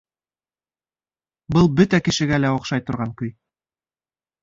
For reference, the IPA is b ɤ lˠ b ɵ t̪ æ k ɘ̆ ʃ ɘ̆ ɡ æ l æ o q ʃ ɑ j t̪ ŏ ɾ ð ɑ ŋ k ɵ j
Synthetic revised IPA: b ɤ lˠ b ɵ t̪ æ k ɘ̆ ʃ ɘ̆ ɡ æ l æ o q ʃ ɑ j t̪ ŏ ɾ ʁ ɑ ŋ k ɵ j